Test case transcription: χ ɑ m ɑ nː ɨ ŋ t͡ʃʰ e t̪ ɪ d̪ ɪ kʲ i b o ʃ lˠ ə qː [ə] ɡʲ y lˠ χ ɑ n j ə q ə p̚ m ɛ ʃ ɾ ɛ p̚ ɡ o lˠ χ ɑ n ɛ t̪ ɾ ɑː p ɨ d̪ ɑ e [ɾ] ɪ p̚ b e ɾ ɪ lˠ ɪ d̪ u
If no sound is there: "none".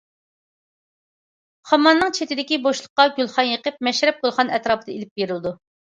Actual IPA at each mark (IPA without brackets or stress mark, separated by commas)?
ɑ, l